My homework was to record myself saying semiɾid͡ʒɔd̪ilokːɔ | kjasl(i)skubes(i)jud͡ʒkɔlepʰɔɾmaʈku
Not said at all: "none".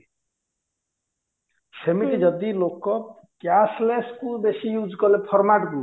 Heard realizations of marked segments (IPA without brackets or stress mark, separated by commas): e, i